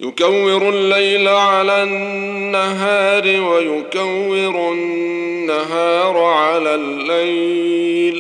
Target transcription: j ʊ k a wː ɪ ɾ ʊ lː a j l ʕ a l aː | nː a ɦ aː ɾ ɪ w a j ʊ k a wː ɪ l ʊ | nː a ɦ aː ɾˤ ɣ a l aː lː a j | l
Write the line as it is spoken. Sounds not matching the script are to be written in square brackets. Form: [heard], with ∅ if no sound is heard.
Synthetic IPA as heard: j ʊ k a wː ɪ ɾ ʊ lː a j l ʕ a l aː | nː a ɦ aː ɾ ɪ w a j ʊ k a wː ɪ [ɾ] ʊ | nː a ɦ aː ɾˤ [ʕ] a l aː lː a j | l